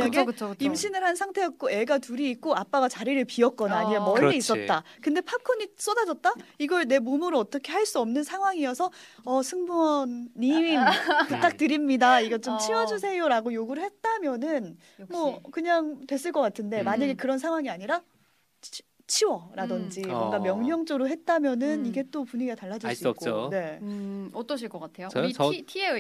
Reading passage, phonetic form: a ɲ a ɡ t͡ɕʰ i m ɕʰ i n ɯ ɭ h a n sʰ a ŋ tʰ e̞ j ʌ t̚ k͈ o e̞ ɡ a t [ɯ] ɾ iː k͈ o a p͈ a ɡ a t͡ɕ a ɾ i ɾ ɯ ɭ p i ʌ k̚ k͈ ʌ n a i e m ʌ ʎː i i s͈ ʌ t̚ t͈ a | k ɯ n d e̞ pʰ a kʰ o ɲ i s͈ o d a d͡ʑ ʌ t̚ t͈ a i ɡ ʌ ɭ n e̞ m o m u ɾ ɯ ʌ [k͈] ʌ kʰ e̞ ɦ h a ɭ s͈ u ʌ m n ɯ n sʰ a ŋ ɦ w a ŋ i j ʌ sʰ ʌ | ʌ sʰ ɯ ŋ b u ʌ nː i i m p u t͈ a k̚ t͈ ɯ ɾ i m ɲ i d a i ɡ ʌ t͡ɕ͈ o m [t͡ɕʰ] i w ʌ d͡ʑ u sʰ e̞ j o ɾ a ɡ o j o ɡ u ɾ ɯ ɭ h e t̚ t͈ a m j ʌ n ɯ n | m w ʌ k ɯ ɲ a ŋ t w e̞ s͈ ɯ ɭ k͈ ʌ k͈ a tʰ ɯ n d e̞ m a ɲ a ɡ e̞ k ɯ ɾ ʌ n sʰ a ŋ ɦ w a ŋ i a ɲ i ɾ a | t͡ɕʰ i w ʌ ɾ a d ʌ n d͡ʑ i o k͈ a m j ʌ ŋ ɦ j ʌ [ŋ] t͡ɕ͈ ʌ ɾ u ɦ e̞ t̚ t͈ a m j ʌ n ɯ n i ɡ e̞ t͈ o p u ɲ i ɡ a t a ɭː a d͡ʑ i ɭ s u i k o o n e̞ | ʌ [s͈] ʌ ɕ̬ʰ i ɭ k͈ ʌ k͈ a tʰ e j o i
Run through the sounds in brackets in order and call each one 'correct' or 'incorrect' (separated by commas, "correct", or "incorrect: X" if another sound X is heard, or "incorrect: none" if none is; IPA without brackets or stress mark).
incorrect: u, incorrect: t͈, correct, correct, incorrect: t͈